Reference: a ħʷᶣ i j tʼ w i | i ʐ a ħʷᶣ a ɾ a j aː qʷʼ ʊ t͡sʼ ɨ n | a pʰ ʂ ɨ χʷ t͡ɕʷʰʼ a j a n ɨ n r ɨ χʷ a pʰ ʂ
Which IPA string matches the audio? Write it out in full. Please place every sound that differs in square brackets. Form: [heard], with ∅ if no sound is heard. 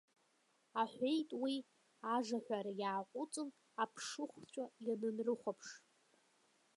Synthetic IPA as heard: a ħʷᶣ [e] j tʼ w i | [a] ʐ a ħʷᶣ a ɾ a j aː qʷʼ ʊ t͡sʼ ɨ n | a pʰ ʂ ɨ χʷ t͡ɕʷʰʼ a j a n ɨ n r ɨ χʷ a pʰ ʂ